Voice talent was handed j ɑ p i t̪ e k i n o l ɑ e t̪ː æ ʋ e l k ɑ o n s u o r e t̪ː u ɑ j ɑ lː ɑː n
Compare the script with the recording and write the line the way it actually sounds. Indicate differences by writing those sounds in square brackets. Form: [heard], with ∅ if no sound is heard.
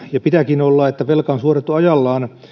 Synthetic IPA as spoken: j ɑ p i t̪ [æ] k i n o [lː] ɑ e t̪ː æ ʋ e l k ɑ o n s u o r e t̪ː u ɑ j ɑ lː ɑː n